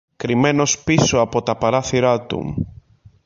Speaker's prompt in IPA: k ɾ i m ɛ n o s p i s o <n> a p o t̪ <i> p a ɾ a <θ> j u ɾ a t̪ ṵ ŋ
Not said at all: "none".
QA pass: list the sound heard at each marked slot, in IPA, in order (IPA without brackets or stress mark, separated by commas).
none, a, θ